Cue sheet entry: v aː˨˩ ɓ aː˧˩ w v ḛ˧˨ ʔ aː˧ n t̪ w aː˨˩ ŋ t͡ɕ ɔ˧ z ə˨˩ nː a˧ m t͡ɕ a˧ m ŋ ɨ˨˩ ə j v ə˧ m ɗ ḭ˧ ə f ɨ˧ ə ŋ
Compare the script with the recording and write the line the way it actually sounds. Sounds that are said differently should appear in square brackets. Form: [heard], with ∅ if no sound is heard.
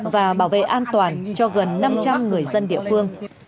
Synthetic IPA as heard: v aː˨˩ ɓ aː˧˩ w v ḛ˧˨ ʔ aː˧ n t̪ w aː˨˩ [n] t͡ɕ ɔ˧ [ɣ] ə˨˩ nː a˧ m t͡ɕ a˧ m ŋ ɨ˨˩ ə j [z] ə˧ [n] ɗ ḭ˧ ə f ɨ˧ ə ŋ